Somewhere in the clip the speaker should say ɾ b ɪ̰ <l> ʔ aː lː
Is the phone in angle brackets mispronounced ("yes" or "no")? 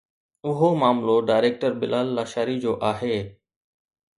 no